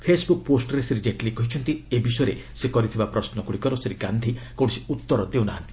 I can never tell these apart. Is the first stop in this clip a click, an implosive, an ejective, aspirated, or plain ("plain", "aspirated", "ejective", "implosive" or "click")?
aspirated